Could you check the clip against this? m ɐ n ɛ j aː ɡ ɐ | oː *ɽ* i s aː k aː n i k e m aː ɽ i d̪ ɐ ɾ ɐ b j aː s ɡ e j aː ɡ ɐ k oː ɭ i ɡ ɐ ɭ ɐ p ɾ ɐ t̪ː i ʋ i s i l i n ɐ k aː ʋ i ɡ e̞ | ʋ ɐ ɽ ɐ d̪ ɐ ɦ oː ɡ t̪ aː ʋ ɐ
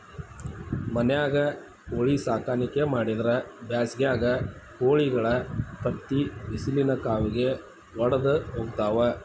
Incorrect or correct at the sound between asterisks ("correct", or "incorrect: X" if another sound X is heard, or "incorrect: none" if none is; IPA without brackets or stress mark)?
incorrect: ɭ